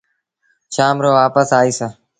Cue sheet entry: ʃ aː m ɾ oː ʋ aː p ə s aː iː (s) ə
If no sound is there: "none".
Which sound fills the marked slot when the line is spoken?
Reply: s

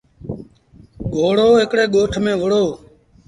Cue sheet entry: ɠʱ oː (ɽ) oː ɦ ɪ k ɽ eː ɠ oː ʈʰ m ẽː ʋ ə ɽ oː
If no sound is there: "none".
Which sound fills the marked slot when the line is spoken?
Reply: ɽ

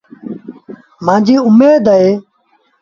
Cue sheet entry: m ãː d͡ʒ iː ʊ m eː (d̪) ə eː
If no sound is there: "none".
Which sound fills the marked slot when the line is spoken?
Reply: d̪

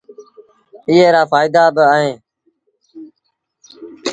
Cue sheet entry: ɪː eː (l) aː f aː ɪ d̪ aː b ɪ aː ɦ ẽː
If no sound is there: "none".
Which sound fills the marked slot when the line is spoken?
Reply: ɾ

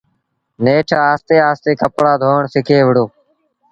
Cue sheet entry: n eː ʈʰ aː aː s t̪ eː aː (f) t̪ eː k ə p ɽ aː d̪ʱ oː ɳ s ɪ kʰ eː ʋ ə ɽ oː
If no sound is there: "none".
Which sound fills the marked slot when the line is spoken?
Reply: s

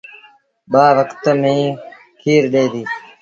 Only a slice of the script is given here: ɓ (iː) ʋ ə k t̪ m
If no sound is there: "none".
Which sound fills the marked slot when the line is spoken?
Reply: aː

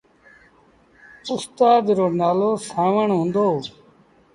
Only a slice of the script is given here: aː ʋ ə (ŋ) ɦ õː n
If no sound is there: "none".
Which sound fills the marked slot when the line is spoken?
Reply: ɳ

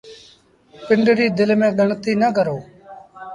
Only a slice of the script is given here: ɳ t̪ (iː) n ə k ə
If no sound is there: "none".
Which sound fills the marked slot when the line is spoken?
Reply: iː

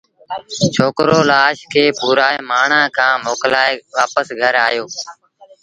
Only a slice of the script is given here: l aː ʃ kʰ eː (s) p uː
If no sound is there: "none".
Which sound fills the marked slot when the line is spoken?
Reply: none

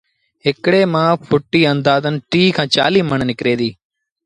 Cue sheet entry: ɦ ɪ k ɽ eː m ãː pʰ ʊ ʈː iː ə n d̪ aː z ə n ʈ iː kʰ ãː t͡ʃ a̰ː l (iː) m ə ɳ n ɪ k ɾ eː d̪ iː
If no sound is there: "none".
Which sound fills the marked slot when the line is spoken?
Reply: iː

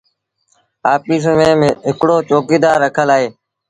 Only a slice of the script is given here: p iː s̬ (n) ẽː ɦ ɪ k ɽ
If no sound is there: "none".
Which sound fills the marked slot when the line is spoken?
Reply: m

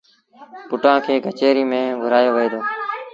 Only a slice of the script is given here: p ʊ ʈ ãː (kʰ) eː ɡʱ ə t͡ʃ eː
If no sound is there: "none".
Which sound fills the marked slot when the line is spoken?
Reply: kʰ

